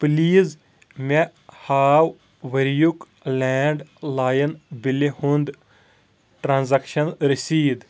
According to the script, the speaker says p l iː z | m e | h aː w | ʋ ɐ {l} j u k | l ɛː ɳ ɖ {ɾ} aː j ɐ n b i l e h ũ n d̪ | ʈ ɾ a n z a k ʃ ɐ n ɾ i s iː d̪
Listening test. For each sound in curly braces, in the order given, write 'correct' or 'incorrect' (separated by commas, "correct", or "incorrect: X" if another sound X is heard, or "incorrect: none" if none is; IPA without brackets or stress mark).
incorrect: ɾ, incorrect: l